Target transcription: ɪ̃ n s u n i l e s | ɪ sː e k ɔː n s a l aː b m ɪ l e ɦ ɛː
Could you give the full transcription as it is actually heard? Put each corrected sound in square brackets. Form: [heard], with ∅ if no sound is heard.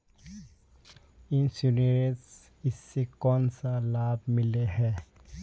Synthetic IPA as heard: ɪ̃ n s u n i [ɾ] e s | ɪ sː e k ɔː n s a l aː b m ɪ l e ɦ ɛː